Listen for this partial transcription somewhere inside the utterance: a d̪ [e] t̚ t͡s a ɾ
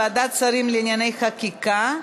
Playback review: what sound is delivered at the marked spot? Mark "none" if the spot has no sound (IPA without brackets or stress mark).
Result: a